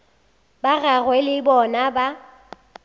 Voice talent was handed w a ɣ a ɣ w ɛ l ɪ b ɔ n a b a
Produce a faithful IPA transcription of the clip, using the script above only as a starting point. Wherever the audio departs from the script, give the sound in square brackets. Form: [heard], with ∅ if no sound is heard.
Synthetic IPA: [b] a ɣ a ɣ w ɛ l ɪ b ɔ n a b a